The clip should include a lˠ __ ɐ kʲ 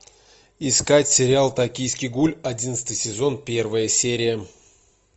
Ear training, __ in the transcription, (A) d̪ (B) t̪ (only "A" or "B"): B